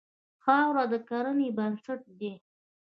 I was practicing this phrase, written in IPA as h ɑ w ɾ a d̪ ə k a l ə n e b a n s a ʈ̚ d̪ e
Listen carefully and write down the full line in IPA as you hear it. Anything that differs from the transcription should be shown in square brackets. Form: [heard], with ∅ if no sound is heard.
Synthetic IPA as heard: [x] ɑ w ɾ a d̪ ə k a [ɾ] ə n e b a n s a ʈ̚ d̪ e